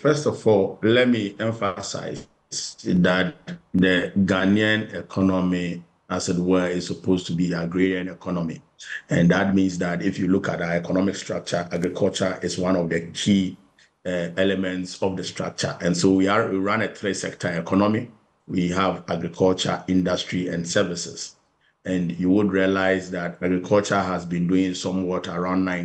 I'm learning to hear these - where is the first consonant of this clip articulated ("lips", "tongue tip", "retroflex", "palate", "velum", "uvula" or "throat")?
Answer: lips